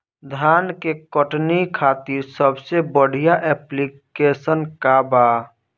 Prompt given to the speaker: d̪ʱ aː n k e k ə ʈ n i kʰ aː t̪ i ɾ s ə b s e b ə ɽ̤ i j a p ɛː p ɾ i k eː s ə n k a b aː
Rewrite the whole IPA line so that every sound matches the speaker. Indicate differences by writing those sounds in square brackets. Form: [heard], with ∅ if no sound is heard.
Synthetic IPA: d̪ʱ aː n k e k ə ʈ n i kʰ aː t̪ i ɾ s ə b s e b ə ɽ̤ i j a [ʔ] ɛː p [l] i k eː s ə n k a b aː